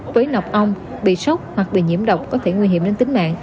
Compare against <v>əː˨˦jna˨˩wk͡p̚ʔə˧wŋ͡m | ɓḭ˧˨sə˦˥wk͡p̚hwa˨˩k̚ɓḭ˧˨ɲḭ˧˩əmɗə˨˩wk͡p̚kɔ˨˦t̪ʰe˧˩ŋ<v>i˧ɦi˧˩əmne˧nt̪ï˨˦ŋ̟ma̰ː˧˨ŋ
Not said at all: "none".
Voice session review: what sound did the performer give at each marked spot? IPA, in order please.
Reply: v, w

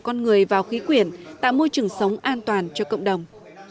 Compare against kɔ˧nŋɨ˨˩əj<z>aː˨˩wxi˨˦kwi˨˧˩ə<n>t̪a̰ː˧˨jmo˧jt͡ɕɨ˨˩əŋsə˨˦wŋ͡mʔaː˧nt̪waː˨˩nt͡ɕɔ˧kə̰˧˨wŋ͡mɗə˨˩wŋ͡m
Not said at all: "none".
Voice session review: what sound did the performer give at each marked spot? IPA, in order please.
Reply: v, n

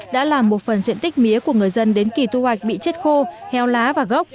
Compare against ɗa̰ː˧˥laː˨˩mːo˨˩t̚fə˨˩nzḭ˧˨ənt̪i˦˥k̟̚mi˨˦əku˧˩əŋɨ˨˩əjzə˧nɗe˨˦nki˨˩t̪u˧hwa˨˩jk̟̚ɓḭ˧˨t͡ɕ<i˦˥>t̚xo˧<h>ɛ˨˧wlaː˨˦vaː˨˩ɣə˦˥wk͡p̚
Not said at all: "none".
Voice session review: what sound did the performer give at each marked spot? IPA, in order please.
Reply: e˦˥, h

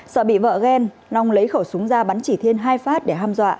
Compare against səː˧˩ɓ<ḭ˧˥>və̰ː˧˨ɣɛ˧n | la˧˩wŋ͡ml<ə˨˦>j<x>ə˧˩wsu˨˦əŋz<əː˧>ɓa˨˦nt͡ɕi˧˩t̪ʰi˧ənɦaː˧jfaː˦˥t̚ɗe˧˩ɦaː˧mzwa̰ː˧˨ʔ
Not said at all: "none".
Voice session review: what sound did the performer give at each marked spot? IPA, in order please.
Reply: ḭ˧˨, ə˨˦, x, aː˧

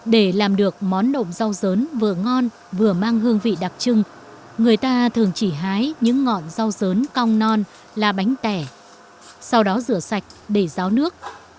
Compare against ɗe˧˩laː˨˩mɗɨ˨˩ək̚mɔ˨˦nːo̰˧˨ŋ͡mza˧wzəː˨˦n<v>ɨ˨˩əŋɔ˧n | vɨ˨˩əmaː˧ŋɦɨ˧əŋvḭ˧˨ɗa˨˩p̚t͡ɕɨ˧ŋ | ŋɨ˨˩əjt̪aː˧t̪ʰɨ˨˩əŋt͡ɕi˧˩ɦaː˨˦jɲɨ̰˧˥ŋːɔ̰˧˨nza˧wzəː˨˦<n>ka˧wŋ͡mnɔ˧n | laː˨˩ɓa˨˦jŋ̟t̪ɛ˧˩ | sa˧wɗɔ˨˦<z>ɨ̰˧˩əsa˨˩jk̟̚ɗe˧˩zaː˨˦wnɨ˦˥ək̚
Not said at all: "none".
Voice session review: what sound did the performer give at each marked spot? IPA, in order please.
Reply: v, n, z

